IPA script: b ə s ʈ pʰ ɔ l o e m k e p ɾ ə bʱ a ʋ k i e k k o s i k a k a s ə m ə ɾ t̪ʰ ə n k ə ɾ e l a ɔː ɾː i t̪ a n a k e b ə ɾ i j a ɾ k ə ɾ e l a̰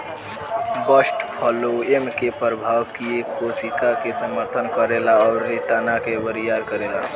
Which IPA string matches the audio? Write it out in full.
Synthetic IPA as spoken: b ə s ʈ pʰ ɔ l o e m k e p ɾ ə bʱ a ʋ k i e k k o s i k a k e s ə m ə ɾ t̪ʰ ə n k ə ɾ e l a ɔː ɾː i t̪ a n a k e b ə ɾ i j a ɾ k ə ɾ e l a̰